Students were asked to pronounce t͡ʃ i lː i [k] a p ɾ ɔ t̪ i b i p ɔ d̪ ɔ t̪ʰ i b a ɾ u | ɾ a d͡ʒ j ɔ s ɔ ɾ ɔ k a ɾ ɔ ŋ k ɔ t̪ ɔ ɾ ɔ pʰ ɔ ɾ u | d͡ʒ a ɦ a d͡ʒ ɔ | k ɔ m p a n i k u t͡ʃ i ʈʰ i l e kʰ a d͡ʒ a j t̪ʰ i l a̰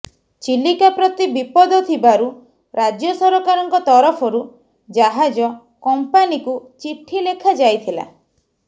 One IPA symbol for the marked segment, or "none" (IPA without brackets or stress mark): k